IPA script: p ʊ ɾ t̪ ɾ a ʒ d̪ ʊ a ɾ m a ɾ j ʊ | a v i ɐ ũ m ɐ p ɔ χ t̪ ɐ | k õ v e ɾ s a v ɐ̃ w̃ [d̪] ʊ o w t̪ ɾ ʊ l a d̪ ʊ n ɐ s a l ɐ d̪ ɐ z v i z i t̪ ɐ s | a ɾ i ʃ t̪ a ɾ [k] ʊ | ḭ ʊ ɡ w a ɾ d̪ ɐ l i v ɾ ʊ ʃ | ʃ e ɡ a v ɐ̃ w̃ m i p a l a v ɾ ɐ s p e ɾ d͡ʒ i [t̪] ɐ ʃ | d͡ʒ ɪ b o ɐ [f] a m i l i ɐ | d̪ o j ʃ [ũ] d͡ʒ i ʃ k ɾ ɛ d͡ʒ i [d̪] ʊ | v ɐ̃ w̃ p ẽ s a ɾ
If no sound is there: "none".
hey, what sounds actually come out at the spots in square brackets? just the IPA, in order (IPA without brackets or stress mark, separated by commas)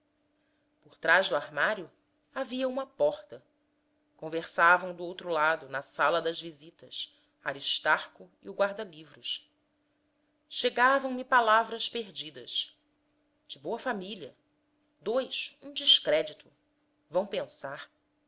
d̪, k, d̪, f, ũ, t̪